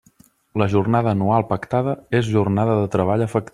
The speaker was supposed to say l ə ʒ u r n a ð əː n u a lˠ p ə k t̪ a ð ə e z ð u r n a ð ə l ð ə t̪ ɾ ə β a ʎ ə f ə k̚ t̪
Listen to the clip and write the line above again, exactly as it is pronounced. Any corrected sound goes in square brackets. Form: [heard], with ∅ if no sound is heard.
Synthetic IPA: l ə ʒ u r n a ð əː n u a lˠ p ə k t̪ a ð ə e z [ʒ] u r n a ð ə [∅] ð ə t̪ ɾ ə β a ʎ ə f ə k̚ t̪